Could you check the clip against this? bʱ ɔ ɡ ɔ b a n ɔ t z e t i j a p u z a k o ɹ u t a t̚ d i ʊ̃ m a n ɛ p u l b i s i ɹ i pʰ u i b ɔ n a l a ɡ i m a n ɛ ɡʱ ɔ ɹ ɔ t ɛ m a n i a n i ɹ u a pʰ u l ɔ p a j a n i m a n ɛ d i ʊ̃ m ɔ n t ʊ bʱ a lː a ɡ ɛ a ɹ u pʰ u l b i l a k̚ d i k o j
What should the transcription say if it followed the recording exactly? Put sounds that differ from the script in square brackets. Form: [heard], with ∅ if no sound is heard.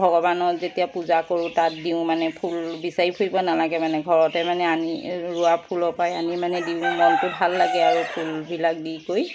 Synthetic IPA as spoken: bʱ ɔ ɡ ɔ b a n ɔ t z e t i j a p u z a k o ɹ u t a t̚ d i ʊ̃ m a n ɛ [pʰ] u l b i s [a] ɹ i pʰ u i b ɔ n a l a ɡ [ɛ] m a n ɛ ɡʱ ɔ ɹ ɔ t ɛ m a n [ɛ] a n i ɹ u a pʰ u l ɔ p a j a n i m a n ɛ d i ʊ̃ m ɔ n t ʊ bʱ a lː a ɡ ɛ a ɹ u pʰ u l b i l a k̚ d i k o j